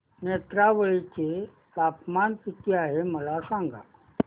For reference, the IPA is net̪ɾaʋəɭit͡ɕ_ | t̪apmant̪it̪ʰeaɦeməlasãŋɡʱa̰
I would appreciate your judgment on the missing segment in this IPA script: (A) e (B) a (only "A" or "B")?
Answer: A